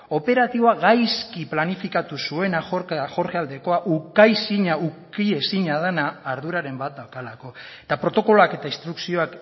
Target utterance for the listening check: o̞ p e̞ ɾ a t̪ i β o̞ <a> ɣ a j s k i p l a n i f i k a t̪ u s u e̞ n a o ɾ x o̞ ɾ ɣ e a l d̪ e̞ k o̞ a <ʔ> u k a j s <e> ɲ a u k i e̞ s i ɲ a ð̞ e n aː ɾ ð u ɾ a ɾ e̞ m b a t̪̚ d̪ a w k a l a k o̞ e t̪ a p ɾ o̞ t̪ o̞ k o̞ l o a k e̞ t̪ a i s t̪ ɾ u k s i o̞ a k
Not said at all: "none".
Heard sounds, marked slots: a, ʔ, i

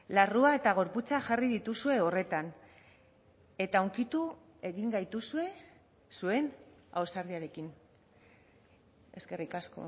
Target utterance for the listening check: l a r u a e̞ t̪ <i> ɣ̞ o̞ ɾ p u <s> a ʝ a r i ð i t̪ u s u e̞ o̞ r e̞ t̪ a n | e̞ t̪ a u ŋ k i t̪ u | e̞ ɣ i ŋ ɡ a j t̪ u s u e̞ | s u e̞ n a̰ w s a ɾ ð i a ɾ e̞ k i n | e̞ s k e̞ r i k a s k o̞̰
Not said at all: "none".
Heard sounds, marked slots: a, t͡s

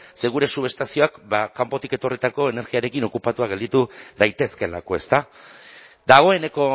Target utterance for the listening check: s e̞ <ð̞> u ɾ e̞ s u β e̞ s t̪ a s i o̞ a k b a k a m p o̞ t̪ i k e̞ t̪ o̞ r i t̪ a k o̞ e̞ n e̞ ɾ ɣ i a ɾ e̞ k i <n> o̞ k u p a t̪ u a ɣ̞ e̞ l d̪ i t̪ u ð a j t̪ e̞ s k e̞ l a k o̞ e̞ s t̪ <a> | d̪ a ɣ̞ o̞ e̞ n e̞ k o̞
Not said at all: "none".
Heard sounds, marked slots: ɣ̞, n, a

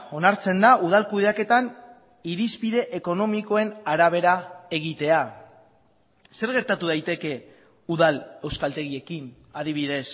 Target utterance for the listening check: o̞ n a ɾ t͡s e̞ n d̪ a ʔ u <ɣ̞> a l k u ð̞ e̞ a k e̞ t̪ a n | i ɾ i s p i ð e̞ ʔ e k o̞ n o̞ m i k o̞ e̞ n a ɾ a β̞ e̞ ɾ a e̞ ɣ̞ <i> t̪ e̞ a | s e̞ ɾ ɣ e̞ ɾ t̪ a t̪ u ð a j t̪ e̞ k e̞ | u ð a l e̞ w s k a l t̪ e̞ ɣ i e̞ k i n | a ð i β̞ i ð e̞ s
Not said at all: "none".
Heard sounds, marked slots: ð̞, i

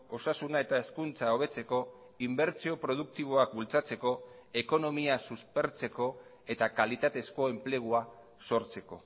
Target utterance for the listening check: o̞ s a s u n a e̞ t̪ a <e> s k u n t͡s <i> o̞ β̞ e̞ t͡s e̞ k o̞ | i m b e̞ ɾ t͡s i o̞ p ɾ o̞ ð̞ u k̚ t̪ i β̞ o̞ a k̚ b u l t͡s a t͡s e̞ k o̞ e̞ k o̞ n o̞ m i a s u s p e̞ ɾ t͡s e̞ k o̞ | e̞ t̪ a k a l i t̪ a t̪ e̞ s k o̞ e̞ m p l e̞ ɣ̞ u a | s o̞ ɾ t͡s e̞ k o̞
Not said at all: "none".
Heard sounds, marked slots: e, a

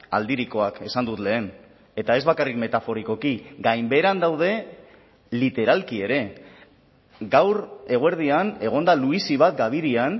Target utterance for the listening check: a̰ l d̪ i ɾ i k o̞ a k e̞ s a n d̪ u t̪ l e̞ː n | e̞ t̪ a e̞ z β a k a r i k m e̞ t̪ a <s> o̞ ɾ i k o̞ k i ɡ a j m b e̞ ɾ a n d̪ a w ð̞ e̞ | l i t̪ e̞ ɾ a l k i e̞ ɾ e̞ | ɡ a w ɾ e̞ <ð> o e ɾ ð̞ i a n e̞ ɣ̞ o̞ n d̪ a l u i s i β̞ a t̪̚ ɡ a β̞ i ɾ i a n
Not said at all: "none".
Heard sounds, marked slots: f, ɣ

